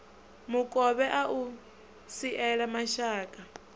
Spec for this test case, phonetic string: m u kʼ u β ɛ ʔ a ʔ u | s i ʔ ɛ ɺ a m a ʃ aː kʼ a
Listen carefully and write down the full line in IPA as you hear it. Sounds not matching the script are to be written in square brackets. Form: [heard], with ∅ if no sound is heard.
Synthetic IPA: m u kʼ [ɔ] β ɛ ʔ a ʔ u | s i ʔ ɛ ɺ a m a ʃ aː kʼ a